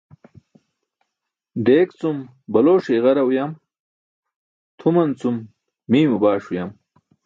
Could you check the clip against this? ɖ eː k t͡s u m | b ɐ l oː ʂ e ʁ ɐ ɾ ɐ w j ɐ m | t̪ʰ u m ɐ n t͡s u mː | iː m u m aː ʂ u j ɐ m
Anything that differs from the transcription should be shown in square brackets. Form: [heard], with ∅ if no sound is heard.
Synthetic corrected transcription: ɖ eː k t͡s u m | b ɐ l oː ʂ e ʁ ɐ ɾ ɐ w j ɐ m | t̪ʰ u m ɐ n t͡s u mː | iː m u [b] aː ʂ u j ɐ m